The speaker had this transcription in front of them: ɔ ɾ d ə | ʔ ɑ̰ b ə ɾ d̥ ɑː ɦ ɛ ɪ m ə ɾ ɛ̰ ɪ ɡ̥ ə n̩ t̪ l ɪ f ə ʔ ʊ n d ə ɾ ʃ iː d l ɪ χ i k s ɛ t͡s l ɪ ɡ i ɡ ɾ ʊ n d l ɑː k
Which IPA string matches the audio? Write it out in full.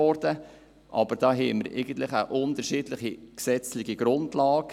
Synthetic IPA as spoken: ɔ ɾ d ə | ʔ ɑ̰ b ə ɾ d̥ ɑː ɦ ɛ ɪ m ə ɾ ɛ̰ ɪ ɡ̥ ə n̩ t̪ l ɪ χ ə ʔ ʊ n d ə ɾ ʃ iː d l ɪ χ i k s ɛ t͡s l ɪ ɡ i ɡ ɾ ʊ n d l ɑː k